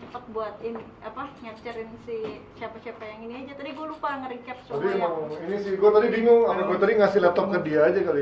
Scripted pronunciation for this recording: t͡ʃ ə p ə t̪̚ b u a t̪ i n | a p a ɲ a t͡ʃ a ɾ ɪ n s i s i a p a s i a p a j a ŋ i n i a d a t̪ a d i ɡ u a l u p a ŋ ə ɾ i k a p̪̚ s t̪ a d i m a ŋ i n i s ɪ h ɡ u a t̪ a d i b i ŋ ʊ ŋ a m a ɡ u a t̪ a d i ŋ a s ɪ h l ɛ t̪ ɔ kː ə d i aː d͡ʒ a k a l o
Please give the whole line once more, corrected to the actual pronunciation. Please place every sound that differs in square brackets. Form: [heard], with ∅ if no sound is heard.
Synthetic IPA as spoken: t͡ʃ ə p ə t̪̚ b u a t̪ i n | a p a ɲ a t͡ʃ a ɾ ɪ n s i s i a p a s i a p a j a ŋ i n i a [d͡ʒ] a t̪ a d i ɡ u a l u p a ŋ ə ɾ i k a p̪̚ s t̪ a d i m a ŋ i n i s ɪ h ɡ u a t̪ a d i b i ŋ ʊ ŋ a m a ɡ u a t̪ a d i ŋ a s ɪ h l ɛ t̪ ɔ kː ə d i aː d͡ʒ a k a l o